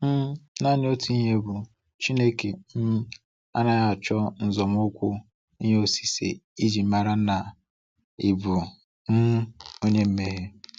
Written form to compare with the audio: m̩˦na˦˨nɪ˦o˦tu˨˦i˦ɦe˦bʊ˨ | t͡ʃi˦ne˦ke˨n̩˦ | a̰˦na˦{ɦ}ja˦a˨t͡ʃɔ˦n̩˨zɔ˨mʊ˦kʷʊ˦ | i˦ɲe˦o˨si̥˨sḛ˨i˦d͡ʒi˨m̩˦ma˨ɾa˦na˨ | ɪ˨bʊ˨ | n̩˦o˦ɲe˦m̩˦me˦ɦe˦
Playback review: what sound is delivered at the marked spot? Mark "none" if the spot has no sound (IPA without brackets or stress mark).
none